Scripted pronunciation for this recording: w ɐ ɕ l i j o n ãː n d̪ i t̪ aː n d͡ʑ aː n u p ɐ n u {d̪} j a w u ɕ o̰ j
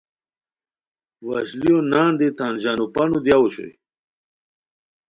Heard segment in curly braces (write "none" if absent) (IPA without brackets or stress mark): d̪